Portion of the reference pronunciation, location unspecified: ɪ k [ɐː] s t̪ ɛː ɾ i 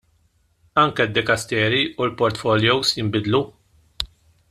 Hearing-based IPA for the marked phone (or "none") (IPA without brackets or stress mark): ɐ